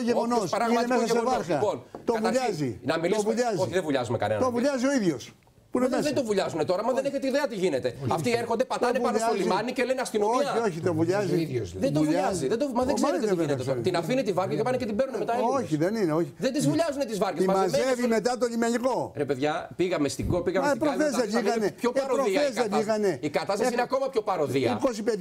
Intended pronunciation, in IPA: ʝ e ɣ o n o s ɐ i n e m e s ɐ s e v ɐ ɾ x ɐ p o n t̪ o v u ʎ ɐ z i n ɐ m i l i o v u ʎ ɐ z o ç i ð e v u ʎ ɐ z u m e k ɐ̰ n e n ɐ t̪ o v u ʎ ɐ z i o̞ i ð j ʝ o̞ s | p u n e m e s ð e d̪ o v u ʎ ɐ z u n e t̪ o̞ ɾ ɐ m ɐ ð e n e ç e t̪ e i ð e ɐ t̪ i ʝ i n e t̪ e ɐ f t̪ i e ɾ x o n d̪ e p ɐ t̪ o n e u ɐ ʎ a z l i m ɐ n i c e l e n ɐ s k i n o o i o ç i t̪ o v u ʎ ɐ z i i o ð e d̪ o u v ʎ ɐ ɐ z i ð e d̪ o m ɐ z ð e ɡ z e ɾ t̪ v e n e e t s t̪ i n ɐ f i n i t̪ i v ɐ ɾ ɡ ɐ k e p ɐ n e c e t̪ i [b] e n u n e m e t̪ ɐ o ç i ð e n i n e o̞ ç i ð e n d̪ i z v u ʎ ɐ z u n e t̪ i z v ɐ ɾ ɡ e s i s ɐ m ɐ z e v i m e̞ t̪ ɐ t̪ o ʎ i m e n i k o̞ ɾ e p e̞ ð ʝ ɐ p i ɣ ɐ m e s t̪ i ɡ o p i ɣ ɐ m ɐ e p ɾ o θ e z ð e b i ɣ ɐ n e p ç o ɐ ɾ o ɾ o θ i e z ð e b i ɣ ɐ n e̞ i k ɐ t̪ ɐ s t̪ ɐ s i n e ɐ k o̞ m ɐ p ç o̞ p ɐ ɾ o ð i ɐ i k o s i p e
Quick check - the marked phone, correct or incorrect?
correct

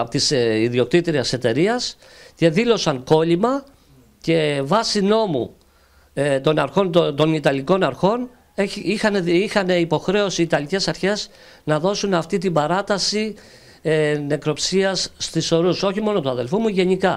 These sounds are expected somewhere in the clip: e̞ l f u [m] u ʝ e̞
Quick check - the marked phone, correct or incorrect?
correct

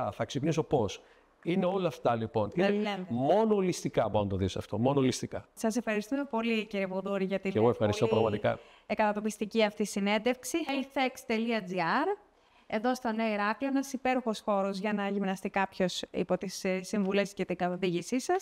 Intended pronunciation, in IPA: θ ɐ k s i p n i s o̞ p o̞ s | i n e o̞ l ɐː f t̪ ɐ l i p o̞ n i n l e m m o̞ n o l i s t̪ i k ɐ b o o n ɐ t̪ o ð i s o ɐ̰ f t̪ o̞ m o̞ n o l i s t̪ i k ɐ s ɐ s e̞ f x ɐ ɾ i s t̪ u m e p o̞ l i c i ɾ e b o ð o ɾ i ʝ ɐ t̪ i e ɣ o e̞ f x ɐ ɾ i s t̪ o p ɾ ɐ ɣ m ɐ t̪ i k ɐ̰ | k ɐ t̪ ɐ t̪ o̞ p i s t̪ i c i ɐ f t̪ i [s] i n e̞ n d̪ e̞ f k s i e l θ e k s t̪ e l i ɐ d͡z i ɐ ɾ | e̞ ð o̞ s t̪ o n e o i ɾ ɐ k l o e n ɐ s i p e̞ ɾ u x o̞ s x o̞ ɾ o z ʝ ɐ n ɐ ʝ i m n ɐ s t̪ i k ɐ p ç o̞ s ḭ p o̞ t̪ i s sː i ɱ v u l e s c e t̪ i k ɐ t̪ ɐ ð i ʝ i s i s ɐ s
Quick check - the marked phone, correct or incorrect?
correct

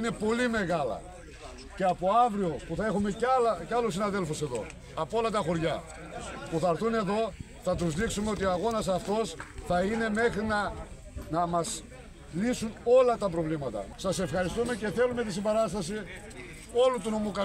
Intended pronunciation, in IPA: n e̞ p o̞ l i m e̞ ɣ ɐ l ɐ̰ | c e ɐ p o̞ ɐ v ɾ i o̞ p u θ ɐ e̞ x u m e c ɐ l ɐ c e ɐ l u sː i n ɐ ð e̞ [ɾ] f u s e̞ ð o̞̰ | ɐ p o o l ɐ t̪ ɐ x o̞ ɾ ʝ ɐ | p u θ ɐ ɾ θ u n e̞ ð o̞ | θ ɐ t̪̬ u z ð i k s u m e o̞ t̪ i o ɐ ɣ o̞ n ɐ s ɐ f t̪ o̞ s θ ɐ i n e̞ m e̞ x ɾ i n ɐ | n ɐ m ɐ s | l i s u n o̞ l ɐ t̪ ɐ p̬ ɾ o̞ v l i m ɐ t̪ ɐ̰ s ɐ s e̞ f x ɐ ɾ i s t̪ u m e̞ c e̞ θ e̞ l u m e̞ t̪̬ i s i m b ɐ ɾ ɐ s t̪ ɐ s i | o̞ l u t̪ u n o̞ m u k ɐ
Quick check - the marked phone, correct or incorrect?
incorrect: l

